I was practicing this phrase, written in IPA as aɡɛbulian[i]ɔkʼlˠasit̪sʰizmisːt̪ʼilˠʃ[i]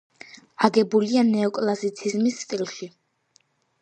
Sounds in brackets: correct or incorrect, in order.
incorrect: ɛ, correct

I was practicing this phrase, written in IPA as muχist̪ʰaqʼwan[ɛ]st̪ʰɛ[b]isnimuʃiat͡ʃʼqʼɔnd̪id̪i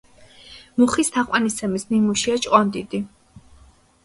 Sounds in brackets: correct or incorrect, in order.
incorrect: i, incorrect: m

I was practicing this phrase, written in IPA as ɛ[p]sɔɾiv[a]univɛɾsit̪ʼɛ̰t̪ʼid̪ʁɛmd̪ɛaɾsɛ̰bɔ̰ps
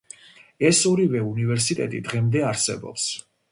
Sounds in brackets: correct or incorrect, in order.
incorrect: none, incorrect: ɛ

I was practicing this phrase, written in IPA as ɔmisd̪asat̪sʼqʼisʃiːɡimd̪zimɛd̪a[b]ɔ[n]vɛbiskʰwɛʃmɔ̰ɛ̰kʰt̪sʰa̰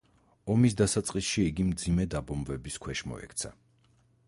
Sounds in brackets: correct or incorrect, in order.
correct, incorrect: m

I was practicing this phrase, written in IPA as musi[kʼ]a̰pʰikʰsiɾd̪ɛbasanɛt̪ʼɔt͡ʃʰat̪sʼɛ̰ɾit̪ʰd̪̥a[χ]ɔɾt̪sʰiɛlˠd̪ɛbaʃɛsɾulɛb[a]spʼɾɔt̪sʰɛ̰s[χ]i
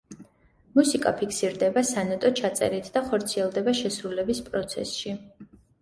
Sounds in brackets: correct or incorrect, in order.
correct, correct, incorrect: i, incorrect: ʃ

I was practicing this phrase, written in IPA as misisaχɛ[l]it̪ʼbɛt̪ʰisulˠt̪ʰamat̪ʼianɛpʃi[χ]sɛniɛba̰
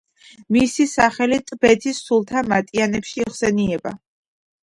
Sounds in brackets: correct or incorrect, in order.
correct, correct

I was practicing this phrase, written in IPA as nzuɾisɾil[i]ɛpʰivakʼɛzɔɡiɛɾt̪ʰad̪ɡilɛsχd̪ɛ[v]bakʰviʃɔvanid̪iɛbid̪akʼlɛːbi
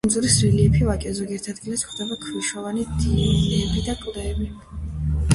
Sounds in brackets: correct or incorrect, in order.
correct, incorrect: none

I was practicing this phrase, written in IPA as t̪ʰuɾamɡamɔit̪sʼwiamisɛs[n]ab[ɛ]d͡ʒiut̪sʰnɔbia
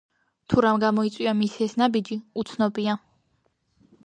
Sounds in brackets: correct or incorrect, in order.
correct, incorrect: i

